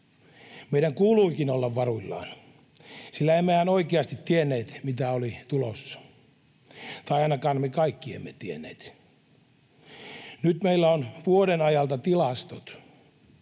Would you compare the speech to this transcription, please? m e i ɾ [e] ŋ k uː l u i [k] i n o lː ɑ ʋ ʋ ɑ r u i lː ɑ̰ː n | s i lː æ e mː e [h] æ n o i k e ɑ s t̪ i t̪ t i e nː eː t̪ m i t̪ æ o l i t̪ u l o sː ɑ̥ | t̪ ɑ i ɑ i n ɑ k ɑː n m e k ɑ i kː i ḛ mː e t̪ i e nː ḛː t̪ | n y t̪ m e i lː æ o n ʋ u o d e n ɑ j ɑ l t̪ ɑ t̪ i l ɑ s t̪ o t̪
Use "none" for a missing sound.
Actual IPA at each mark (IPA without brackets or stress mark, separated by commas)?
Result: æ, k, h